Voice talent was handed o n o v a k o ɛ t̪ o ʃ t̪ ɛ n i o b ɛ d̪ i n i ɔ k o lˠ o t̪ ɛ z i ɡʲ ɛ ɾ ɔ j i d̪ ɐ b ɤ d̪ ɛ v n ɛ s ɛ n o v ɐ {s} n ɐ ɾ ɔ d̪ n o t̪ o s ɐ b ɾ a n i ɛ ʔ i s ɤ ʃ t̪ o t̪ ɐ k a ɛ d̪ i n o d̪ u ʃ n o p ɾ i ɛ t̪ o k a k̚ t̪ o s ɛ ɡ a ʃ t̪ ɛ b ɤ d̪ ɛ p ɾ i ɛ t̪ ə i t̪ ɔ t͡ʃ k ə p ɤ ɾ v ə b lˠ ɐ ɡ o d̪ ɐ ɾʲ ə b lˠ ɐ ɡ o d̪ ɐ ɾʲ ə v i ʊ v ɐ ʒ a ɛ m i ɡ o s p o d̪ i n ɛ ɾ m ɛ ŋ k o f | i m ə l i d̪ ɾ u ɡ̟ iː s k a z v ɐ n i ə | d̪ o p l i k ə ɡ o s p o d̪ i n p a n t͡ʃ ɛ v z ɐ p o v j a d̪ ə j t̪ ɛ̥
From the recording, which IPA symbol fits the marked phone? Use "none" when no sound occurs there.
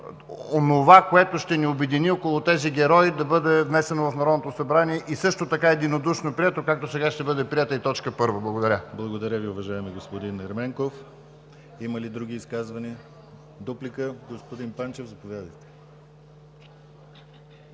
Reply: f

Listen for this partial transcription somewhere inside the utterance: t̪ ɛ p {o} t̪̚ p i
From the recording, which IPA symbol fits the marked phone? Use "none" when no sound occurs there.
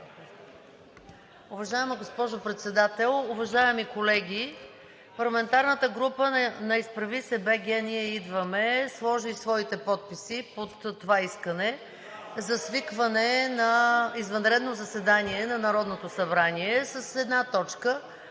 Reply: ɔ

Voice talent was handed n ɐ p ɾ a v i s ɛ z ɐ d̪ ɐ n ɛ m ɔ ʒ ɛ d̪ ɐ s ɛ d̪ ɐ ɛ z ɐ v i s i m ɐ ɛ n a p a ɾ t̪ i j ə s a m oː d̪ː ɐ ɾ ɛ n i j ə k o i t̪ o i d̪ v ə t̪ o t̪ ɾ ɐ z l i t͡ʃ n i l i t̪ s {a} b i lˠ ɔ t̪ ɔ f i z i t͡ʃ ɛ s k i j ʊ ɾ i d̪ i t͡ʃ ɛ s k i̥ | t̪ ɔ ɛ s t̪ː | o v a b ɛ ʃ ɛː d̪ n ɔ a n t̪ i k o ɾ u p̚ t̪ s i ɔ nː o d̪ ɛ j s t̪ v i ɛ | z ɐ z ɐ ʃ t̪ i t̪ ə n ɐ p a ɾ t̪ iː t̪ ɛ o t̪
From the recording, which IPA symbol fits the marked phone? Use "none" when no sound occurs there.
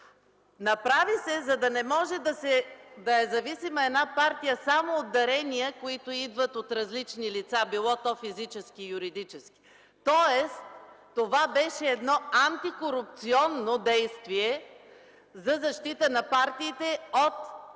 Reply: a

